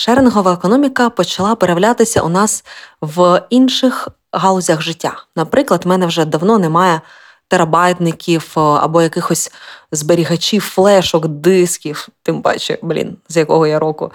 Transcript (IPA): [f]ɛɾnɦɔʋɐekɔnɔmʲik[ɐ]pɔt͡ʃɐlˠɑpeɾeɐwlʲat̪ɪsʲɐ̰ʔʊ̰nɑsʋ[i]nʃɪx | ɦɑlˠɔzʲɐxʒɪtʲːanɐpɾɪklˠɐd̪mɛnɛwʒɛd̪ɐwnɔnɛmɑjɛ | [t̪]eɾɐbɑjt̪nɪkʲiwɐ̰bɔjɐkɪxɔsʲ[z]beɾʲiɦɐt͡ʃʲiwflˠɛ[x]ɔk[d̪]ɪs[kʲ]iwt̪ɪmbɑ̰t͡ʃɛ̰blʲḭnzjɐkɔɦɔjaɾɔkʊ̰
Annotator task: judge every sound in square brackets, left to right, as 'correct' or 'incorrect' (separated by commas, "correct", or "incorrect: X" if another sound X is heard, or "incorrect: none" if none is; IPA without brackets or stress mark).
incorrect: ʃ, correct, correct, correct, correct, incorrect: ʃ, correct, correct